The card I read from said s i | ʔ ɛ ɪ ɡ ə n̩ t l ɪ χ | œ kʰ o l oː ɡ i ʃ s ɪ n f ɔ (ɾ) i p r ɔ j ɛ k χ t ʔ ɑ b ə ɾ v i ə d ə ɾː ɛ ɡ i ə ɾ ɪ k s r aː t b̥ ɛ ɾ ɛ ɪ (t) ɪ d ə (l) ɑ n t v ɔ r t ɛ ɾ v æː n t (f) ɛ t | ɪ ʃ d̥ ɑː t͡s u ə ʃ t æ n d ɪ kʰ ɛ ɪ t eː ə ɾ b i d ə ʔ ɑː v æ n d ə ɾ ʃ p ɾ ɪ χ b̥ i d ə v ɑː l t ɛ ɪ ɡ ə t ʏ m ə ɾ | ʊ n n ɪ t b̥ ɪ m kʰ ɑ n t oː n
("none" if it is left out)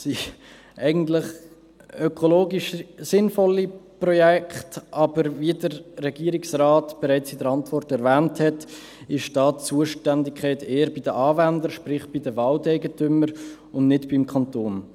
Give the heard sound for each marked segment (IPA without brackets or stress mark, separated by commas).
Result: l, t͡s, ɾ, h